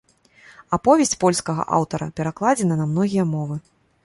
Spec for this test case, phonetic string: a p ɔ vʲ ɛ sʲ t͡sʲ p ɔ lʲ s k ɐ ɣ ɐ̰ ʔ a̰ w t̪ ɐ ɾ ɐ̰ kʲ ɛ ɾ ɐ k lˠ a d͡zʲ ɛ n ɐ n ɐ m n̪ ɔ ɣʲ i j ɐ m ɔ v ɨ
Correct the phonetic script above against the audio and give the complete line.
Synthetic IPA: a p ɔ vʲ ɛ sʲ t͡sʲ p ɔ lʲ s k ɐ ɣ ɐ̰ ʔ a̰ w t̪ ɐ ɾ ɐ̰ pʲ ɛ ɾ a k lˠ a d͡zʲ ɛ n ɐ n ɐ m n̪ ɔ ɣʲ i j ɐ m ɔ v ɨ